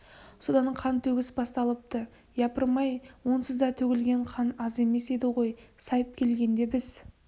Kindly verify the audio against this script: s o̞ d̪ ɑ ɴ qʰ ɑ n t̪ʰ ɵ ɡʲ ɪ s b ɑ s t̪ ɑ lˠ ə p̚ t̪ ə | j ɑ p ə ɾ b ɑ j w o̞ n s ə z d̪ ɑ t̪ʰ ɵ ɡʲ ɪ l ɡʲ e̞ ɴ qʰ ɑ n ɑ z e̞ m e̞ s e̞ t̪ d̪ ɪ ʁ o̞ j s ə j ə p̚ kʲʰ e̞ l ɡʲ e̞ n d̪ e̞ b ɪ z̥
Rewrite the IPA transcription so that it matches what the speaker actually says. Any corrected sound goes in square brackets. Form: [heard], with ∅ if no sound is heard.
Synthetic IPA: s o̞ d̪ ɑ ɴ qʰ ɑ n t̪ʰ ɵ ɡʲ ɪ s b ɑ s t̪ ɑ lˠ ə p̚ t̪ ə | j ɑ p ə ɾ [m] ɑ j w o̞ n s ə z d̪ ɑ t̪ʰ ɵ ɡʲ ɪ l ɡʲ e̞ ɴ qʰ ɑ n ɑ z e̞ m e̞ s e̞ [∅] d̪ ɪ ʁ o̞ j s [ɑ] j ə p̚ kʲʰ e̞ l ɡʲ e̞ n d̪ e̞ b ɪ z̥